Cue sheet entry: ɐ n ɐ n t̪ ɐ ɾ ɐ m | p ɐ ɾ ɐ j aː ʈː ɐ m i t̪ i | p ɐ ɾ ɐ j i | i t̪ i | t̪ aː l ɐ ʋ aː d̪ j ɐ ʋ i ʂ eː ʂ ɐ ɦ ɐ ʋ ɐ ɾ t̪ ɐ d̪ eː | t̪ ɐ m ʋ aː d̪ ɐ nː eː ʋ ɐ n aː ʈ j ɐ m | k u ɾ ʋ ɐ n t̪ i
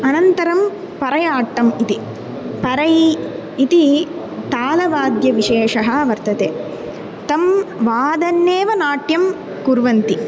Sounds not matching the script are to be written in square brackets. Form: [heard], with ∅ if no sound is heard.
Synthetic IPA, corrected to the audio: ɐ n ɐ n t̪ ɐ ɾ ɐ m | p ɐ ɾ ɐ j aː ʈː ɐ m i t̪ i | p ɐ ɾ ɐ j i | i t̪ i | t̪ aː l ɐ ʋ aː d̪ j ɐ ʋ i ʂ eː ʂ ɐ ɦ ɐ ʋ ɐ ɾ t̪ ɐ [t̪] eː | t̪ ɐ m ʋ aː d̪ ɐ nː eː ʋ ɐ n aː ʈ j ɐ m | k u ɾ ʋ ɐ n t̪ i